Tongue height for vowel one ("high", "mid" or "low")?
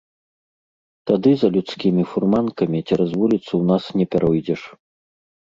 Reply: low